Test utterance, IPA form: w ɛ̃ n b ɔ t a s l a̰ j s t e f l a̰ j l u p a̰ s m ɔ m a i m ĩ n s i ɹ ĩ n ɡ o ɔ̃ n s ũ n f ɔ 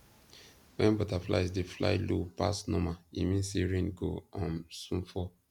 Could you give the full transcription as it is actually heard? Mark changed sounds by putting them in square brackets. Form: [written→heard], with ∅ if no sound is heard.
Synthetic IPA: w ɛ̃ n b ɔ t a [s→f] l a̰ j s [t→d] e f l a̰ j l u p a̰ s [m→n] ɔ m a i m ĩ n s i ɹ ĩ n ɡ o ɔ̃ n s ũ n f ɔ